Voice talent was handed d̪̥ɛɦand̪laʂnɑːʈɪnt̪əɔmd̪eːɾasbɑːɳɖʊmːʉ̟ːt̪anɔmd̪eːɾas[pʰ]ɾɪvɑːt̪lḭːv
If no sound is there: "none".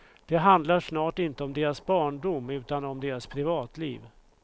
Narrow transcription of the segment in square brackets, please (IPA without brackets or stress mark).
pʰ